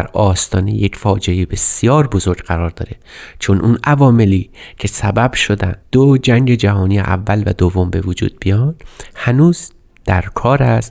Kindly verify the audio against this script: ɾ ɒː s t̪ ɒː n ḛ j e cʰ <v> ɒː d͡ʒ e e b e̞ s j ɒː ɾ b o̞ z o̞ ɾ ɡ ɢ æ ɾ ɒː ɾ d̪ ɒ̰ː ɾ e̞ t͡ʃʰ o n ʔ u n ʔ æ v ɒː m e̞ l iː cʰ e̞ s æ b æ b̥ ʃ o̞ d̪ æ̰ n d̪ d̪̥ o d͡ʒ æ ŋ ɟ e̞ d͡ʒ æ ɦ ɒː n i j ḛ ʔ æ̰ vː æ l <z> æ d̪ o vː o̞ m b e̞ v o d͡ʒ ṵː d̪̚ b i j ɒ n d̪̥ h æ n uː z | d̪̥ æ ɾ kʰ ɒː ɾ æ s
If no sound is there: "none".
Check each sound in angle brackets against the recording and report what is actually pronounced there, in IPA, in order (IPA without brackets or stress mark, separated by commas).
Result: f, v